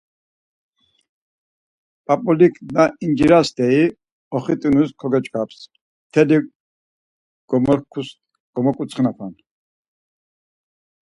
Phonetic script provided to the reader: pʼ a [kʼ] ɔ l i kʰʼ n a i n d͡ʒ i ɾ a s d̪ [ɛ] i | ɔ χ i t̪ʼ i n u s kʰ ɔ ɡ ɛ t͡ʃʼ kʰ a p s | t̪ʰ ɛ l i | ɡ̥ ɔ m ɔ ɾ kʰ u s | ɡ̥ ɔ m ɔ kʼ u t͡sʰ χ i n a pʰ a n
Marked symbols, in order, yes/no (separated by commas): no, yes